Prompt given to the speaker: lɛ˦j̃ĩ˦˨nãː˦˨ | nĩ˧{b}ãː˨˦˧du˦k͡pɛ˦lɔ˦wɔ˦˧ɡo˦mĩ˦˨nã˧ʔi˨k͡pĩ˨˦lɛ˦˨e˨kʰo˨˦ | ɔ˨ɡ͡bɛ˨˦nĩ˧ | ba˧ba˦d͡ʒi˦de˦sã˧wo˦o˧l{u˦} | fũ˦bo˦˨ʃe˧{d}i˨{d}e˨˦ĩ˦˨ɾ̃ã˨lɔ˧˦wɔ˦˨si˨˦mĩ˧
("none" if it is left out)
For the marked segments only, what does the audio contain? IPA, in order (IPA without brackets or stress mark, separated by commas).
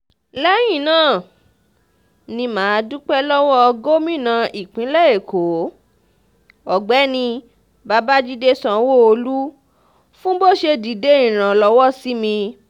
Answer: m, u˦, d, d